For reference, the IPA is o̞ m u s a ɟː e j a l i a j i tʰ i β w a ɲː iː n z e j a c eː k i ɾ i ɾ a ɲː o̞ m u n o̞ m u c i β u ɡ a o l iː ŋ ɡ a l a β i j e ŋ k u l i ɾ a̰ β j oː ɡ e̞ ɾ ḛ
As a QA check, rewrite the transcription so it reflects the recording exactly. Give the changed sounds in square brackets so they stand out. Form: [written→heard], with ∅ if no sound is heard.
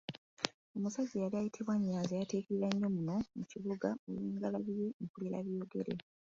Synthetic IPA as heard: o̞ m u s a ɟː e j a l i a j i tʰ i β w a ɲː [iː→aː] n z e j a [c→t] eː k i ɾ i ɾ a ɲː o̞ m u n o̞ m u c i β u ɡ a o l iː ŋ ɡ a l a β i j e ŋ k u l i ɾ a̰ β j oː ɡ e̞ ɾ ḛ